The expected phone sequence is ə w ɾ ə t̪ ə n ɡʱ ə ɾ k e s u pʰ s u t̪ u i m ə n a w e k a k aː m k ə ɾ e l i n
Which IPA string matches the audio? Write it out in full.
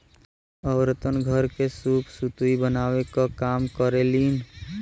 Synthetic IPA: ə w ɾ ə t̪ ə n ɡʱ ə ɾ k e s u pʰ s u t̪ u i b ə n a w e k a k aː m k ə ɾ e l i n